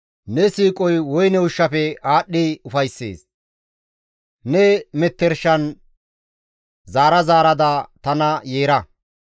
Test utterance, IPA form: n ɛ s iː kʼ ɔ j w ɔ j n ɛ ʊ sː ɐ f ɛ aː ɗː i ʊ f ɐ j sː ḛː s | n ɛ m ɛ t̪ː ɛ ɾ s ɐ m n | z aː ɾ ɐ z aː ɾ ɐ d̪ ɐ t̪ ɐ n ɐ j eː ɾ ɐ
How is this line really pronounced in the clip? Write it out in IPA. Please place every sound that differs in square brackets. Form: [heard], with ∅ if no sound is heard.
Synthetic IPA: n ɛ s iː kʼ ɔ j w ɔ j n ɛ ʊ [ʃː] ɐ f ɛ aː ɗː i ʊ f ɐ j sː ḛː s | n ɛ m ɛ t̪ː ɛ ɾ [ʃ] ɐ [∅] n | z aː ɾ ɐ z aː ɾ ɐ d̪ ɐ t̪ ɐ n ɐ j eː ɾ ɐ

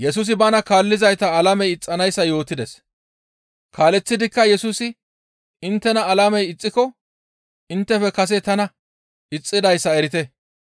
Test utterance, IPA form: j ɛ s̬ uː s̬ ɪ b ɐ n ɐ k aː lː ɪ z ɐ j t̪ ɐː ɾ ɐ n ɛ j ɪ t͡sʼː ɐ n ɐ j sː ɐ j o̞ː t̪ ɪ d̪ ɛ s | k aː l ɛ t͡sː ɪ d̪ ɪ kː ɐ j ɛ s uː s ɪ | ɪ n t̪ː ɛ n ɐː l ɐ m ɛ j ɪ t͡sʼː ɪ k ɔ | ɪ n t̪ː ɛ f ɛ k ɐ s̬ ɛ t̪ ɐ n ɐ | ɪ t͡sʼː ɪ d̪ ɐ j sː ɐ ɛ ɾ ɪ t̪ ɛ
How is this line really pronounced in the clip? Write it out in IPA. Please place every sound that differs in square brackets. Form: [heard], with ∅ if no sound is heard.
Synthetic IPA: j ɛ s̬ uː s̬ ɪ b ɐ n ɐ k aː lː ɪ z ɐ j t̪ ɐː [l] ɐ [m] ɛ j ɪ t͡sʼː ɐ n ɐ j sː ɐ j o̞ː t̪ ɪ d̪ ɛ s | k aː l ɛ t͡sː ɪ d̪ ɪ kː ɐ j ɛ s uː s ɪ | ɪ n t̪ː ɛ n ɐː l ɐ m ɛ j ɪ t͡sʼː ɪ k ɔ | ɪ n t̪ː ɛ f ɛ k ɐ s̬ ɛ t̪ ɐ n ɐ | ɪ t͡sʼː ɪ d̪ ɐ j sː ɐ ɛ ɾ ɪ t̪ ɛ

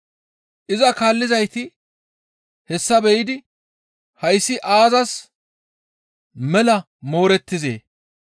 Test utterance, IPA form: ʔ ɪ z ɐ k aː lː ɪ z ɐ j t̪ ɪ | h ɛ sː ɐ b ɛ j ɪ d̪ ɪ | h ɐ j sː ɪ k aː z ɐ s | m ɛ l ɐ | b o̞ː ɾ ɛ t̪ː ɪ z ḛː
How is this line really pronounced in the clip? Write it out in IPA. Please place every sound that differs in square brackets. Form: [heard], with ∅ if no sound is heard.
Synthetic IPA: ʔ ɪ z ɐ k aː lː ɪ z ɐ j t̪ ɪ | h ɛ sː ɐ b ɛ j ɪ d̪ ɪ | h ɐ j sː ɪ [ʔ] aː z ɐ s | m ɛ l ɐ | [m] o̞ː ɾ ɛ t̪ː ɪ z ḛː

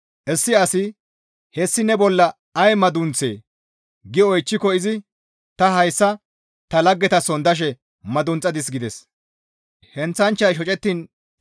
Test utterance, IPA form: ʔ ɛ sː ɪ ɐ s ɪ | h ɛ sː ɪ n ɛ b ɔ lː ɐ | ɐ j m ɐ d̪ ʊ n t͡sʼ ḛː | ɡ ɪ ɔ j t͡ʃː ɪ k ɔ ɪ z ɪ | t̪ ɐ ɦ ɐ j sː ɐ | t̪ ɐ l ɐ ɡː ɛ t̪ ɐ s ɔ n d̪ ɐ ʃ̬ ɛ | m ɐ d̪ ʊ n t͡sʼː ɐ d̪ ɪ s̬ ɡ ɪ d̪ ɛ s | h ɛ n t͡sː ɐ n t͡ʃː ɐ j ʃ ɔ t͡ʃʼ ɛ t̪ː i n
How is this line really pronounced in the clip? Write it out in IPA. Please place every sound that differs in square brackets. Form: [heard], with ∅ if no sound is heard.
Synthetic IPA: ʔ ɛ sː ɪ ɐ s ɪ | h ɛ sː ɪ n ɛ b ɔ lː ɐ | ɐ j m ɐ d̪ ʊ n [t͡s] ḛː | ɡ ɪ ɔ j t͡ʃː ɪ k ɔ ɪ z ɪ | t̪ ɐ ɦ ɐ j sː ɐ | t̪ ɐ l ɐ ɡː ɛ t̪ ɐ s ɔ n d̪ ɐ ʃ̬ ɛ | m ɐ d̪ ʊ n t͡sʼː ɐ d̪ ɪ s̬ ɡ ɪ d̪ ɛ s | h ɛ n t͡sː ɐ n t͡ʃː ɐ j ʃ ɔ t͡ʃʼ ɛ t̪ː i n

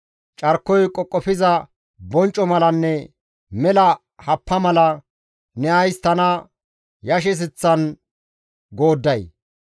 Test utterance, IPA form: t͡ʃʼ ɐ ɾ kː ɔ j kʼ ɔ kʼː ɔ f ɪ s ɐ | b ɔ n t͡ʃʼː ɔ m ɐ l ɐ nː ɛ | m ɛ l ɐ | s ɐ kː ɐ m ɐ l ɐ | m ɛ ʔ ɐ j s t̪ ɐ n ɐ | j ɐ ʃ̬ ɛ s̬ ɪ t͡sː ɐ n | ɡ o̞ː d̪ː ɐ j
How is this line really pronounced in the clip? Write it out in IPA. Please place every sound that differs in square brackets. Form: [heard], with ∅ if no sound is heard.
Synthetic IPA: t͡ʃʼ ɐ ɾ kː ɔ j kʼ ɔ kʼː ɔ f ɪ [z] ɐ | b ɔ n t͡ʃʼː ɔ m ɐ l ɐ nː ɛ | m ɛ l ɐ | [h] ɐ [pː] ɐ m ɐ l ɐ | [n] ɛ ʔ ɐ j s t̪ ɐ n ɐ | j ɐ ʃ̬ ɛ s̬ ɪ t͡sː ɐ n | ɡ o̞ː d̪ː ɐ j

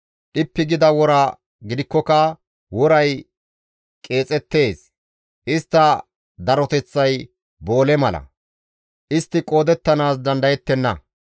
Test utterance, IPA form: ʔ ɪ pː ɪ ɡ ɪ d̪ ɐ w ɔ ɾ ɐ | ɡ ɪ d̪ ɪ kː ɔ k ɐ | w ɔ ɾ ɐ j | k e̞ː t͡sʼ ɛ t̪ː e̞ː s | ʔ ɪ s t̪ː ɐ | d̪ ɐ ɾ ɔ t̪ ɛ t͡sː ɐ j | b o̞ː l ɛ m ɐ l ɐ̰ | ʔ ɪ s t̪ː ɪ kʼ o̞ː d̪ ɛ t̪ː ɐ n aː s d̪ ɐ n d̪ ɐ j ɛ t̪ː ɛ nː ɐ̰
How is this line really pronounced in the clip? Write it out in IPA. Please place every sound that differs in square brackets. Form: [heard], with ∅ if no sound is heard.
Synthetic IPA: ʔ ɪ pː ɪ ɡ ɪ d̪ ɐ w ɔ ɾ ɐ | ɡ ɪ d̪ ɪ kː ɔ k ɐ | w ɔ ɾ ɐ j | [kʼ] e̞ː t͡sʼ ɛ t̪ː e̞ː s | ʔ ɪ s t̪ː ɐ | d̪ ɐ ɾ ɔ t̪ ɛ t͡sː ɐ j | b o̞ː l ɛ m ɐ l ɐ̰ | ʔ ɪ s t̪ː ɪ kʼ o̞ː d̪ ɛ t̪ː ɐ n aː s d̪ ɐ n d̪ ɐ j ɛ t̪ː ɛ nː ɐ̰

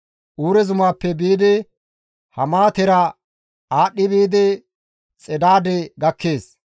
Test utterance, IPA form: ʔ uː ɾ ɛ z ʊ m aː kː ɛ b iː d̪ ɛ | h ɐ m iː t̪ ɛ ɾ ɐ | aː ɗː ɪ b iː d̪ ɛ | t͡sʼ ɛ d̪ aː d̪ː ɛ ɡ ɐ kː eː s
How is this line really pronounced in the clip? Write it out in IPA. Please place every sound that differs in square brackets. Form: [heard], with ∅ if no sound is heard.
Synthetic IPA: ʔ uː ɾ ɛ z ʊ m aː [pː] ɛ b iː d̪ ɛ | h ɐ m [aː] t̪ ɛ ɾ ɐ | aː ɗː ɪ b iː d̪ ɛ | t͡sʼ ɛ d̪ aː [d̪] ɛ ɡ ɐ kː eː s

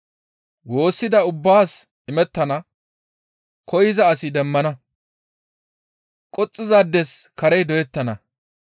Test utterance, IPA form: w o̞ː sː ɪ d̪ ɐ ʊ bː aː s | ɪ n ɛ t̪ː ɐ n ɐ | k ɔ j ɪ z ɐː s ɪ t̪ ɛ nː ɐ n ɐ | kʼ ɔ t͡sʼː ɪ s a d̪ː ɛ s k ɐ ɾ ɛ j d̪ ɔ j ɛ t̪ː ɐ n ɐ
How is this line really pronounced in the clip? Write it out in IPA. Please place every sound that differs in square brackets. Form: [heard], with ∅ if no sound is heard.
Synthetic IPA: w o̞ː sː ɪ d̪ ɐ ʊ bː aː s | ɪ [m] ɛ t̪ː ɐ n ɐ | k ɔ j ɪ z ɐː s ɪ [d̪] ɛ [mː] ɐ n ɐ | kʼ ɔ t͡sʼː ɪ [z] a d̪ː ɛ s k ɐ ɾ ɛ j d̪ ɔ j ɛ t̪ː ɐ n ɐ

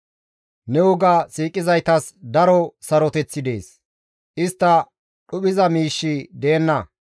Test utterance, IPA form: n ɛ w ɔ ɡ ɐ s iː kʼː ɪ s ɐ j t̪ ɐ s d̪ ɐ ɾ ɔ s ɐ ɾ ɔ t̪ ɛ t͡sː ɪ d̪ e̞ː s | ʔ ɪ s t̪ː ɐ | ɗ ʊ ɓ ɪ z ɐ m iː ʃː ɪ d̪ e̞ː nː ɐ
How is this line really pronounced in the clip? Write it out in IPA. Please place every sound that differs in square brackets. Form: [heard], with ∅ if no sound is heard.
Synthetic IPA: n ɛ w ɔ ɡ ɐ s iː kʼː ɪ [z] ɐ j t̪ ɐ s d̪ ɐ ɾ ɔ s ɐ ɾ ɔ t̪ ɛ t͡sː ɪ d̪ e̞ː s | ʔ ɪ s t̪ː ɐ | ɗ ʊ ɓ ɪ z ɐ m iː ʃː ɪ d̪ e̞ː nː ɐ

